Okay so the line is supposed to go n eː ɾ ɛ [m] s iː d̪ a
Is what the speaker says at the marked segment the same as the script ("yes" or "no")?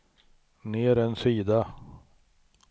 no